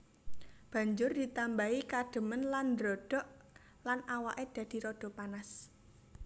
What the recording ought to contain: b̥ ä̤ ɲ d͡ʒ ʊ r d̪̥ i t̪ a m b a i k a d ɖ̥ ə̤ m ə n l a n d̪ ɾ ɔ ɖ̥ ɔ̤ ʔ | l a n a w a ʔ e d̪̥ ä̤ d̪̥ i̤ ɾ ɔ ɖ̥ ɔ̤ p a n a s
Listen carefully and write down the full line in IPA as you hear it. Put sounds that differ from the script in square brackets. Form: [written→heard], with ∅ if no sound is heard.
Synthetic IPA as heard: b̥ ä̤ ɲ d͡ʒ ʊ r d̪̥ i t̪ a m b a i k a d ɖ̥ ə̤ m ə n l a n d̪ ɾ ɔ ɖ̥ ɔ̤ ʔ | l a n a w a ʔ e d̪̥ ä̤ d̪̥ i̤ ɾ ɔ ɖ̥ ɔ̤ p a n a s